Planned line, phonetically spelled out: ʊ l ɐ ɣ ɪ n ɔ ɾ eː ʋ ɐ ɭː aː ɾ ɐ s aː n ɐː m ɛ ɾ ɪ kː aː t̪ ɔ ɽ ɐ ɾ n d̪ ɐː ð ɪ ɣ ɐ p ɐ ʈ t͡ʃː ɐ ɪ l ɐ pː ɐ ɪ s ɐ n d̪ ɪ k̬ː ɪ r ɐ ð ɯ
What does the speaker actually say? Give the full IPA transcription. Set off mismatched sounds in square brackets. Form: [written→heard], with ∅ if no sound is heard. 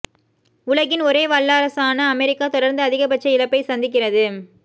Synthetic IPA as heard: ʊ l ɐ ɣ ɪ n ɔ ɾ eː ʋ ɐ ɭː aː ɾ ɐ s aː n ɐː m ɛ ɾ ɪ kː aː t̪ ɔ ɽ ɐ ɾ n d̪ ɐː ð ɪ ɣ ɐ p ɐ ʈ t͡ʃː ɐ ɪ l ɐ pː ɐ ɪ s ɐ n d̪ ɪ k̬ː ɪ r ɐ ð ɯ